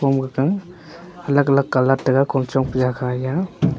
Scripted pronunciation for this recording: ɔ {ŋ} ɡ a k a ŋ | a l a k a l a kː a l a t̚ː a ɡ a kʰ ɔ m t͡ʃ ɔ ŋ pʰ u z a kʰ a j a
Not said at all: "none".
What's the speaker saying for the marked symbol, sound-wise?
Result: m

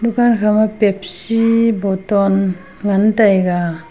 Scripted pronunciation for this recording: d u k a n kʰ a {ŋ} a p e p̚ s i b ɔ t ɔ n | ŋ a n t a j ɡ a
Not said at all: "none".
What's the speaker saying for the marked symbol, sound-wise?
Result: m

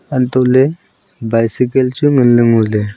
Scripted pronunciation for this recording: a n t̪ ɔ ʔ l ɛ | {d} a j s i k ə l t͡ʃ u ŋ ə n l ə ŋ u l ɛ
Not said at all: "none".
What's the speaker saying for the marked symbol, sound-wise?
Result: b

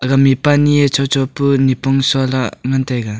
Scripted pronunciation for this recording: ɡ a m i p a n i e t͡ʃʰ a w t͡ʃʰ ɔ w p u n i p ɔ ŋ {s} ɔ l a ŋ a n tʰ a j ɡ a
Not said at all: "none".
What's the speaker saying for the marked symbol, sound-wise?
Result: s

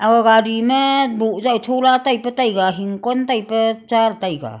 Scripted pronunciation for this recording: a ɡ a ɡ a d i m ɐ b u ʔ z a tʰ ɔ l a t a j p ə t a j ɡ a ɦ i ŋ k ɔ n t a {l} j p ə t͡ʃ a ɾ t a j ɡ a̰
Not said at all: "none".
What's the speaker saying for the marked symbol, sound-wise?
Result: none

